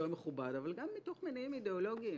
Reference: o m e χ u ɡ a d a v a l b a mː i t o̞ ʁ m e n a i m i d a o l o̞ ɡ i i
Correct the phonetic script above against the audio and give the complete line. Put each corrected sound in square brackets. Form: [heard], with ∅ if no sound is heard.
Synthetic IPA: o m e χ u [b] a d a v a l [ɡ] a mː i t o̞ [χ] m e n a i m i d [e] o l o̞ ɡ i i